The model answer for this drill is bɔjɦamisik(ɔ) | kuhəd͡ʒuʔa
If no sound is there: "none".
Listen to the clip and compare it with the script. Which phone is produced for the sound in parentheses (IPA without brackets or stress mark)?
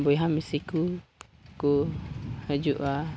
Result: u